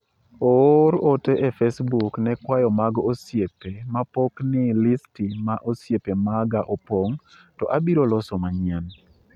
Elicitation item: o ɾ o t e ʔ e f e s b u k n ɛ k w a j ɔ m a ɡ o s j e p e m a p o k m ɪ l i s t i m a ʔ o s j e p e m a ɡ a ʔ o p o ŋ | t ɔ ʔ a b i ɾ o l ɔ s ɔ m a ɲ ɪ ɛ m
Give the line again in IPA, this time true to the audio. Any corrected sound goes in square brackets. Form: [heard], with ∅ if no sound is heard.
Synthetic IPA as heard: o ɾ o t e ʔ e f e s b u k n ɛ k w a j ɔ m a ɡ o s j e p e m a p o k [n] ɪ l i s t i m a ʔ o s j e p e m a ɡ a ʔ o p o ŋ | t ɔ ʔ a b i ɾ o l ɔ s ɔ m a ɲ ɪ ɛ [n]